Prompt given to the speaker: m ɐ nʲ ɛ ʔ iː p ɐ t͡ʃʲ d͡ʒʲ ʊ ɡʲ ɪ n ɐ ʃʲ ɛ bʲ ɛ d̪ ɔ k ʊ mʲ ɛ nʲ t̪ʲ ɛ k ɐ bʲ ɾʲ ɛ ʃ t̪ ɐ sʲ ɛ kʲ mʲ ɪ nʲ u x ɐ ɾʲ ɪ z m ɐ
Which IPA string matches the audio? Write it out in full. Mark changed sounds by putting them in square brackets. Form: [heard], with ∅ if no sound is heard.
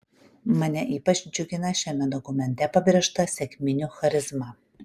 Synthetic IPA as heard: m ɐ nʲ ɛ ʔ iː p ɐ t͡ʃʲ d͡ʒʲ ʊ ɡʲ ɪ n ɐ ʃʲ ɛ [mʲ] ɛ d̪ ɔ k ʊ mʲ ɛ nʲ t̪ʲ ɛ [p] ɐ bʲ ɾʲ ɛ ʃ t̪ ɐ sʲ ɛ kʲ mʲ ɪ nʲ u x ɐ ɾʲ ɪ z m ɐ